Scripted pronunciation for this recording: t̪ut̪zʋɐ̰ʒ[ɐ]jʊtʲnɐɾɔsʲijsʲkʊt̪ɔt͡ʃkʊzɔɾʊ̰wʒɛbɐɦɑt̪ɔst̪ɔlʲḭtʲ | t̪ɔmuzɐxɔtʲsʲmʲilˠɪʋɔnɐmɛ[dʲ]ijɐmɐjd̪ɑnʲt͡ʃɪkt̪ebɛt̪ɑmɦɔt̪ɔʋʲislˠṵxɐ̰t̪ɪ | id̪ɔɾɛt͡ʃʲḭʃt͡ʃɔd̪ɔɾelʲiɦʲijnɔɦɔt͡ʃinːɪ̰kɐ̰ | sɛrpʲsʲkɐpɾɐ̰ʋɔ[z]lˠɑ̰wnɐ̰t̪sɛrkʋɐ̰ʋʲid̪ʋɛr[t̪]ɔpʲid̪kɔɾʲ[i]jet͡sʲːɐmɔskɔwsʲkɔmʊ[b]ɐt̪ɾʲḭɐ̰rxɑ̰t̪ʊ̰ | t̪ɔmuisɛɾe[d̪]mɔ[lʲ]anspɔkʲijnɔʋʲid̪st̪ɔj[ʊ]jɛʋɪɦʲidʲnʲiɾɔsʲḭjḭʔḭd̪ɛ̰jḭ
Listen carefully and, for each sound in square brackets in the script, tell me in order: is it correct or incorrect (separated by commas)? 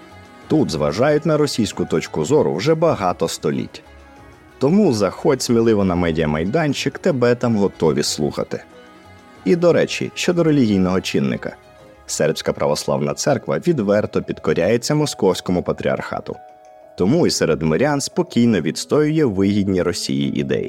incorrect, correct, incorrect, correct, incorrect, incorrect, correct, incorrect, correct